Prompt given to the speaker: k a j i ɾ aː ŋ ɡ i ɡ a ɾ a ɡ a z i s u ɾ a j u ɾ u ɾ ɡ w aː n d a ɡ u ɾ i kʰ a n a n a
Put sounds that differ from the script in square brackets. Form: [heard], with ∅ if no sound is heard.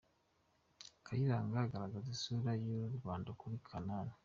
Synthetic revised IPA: k a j i ɾ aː ŋ ɡ [a] ɡ a ɾ a ɡ a z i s u ɾ a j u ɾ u ɾ ɡ w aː n d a [k] u ɾ i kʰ a n a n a